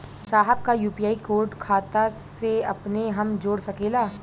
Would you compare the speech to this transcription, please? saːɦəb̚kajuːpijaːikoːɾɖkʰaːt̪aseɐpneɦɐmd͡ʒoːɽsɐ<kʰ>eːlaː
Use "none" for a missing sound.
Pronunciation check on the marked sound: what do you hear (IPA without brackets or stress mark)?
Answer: k